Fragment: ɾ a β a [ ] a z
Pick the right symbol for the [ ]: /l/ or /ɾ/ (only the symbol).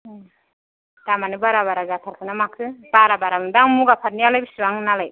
ɾ